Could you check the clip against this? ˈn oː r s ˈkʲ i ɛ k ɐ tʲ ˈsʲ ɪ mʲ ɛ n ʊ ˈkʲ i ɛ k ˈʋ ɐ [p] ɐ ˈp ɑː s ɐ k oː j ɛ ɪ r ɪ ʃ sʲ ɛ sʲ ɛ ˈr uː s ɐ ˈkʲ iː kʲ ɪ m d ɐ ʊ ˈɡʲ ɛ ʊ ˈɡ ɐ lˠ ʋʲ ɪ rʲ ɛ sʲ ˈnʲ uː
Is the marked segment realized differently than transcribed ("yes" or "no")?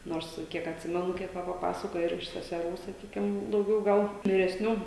no